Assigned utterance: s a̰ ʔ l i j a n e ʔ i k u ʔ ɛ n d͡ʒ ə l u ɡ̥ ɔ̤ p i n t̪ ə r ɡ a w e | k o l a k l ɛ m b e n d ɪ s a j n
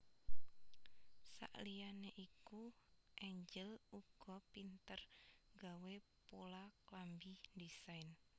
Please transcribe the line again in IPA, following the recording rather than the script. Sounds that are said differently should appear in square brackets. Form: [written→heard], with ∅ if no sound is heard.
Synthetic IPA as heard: s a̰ ʔ l i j a n e ʔ i k u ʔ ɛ [n→ɲ] d͡ʒ ə l u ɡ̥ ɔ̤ p i n t̪ ə r ɡ a w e | [k→p] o l a k l [ɛ→a] m b [e→i] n d [ɪ→i] s a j n